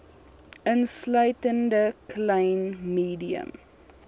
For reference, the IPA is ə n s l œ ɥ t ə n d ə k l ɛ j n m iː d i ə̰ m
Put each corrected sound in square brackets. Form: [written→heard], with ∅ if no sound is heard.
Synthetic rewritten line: ə n s l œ ɥ t ə n d ə k l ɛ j n m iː d i ə̰ m